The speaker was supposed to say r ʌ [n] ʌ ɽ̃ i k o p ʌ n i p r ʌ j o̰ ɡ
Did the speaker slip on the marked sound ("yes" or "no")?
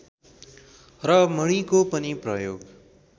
yes